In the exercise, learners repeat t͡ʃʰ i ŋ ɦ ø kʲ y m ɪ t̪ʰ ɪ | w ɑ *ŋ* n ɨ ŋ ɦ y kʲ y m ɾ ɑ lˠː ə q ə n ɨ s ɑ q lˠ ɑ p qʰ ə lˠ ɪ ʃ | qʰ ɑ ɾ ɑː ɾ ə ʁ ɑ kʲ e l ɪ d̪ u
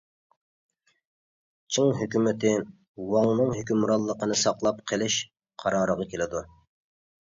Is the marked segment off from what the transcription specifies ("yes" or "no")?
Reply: no